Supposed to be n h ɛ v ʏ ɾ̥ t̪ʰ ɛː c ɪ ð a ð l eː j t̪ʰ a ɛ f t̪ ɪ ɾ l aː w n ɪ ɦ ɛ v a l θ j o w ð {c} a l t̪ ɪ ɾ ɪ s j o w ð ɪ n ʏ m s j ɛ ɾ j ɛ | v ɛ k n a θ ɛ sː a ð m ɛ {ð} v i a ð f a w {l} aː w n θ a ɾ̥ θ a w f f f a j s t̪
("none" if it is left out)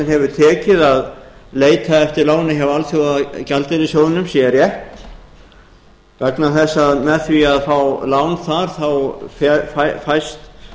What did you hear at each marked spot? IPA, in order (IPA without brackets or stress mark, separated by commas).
c, θ, l